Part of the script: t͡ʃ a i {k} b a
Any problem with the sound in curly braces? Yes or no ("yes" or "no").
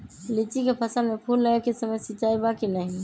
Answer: yes